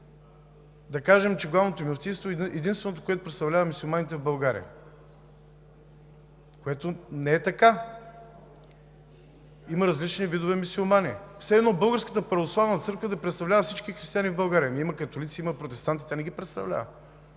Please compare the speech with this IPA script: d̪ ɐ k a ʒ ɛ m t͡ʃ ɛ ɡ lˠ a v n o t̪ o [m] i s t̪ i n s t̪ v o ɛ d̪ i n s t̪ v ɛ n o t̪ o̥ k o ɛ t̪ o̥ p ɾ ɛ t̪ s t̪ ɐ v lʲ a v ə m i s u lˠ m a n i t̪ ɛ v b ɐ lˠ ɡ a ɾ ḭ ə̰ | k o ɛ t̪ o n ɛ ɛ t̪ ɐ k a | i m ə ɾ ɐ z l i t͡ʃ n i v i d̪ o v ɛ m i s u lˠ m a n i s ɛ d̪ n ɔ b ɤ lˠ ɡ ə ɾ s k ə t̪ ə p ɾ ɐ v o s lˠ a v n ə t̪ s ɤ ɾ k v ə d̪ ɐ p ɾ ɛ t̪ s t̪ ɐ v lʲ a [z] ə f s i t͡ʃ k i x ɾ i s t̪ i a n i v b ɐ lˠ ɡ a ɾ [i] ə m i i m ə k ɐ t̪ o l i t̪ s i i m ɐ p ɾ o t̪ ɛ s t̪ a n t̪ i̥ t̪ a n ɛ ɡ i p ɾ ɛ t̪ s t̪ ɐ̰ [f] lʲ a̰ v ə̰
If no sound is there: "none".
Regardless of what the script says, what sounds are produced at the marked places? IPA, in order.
m, v, i, v

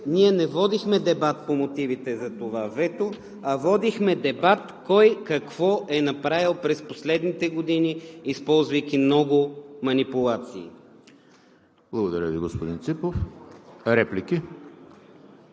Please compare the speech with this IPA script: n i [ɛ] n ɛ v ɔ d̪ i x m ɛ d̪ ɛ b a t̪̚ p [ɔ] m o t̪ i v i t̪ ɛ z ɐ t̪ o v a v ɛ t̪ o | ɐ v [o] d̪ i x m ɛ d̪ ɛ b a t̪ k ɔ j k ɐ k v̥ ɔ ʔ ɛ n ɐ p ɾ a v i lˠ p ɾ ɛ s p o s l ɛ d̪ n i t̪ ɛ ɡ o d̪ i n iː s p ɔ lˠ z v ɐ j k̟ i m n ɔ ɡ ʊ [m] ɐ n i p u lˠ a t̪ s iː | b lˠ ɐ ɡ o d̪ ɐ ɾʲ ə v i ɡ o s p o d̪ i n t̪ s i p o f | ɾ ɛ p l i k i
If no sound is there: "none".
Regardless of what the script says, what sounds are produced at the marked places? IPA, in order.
ɛ, o, ɔ, m

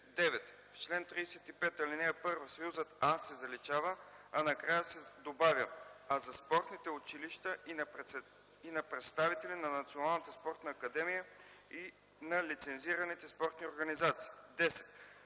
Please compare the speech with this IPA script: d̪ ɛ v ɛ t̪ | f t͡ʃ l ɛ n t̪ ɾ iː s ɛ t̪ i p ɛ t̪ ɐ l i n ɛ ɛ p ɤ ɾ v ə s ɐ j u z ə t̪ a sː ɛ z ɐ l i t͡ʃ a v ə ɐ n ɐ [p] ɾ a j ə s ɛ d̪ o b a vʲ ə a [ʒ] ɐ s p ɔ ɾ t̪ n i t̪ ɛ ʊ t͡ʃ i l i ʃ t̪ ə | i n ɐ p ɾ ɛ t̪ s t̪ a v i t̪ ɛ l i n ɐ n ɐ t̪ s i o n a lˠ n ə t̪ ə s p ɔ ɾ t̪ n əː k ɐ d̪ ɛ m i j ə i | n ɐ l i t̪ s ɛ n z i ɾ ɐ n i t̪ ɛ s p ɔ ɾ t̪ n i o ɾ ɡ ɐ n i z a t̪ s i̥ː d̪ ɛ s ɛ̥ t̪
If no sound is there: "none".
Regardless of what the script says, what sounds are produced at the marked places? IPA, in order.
k, z

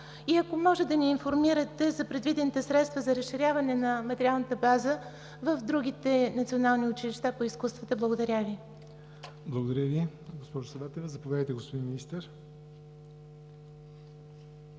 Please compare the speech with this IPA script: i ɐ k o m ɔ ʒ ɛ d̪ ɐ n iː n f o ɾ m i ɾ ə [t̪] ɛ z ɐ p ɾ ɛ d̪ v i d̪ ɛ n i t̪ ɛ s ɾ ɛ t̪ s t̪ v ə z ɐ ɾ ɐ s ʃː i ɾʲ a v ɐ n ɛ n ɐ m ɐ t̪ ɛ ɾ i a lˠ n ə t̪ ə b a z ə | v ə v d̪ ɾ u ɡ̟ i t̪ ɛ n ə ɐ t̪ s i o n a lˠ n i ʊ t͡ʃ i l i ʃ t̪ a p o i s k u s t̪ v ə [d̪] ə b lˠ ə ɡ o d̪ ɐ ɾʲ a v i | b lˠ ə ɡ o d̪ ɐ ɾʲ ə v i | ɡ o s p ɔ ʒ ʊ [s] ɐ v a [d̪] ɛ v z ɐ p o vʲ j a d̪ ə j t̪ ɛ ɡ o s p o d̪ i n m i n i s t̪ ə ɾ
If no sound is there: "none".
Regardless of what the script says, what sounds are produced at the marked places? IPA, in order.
t̪, t̪, s, t̪

